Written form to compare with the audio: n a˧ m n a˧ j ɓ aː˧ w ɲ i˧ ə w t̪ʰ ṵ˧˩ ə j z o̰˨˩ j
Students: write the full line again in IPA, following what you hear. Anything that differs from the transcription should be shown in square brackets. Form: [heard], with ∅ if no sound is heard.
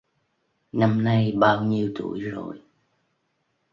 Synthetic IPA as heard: n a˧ m n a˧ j ɓ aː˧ w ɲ i˧ ə w [t̪] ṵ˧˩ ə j z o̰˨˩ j